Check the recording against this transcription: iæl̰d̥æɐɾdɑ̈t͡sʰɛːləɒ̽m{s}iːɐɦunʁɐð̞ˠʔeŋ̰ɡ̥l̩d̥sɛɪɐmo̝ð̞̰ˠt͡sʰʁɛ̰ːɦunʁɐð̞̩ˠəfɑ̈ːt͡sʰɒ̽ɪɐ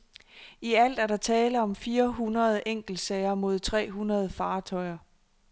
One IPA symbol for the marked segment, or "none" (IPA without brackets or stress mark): f